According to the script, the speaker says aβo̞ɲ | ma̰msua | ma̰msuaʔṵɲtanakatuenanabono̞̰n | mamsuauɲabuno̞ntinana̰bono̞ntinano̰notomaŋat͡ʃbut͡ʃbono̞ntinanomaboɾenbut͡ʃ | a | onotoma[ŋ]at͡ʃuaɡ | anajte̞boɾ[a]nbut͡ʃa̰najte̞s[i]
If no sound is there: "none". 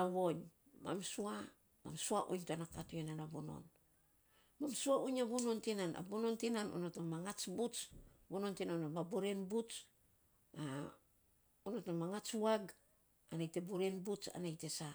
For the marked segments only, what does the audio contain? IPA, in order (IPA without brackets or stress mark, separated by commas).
ŋ, e, a